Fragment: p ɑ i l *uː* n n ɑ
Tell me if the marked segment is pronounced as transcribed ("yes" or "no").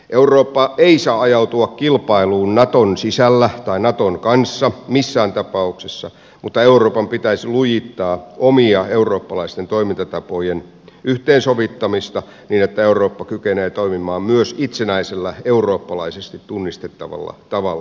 yes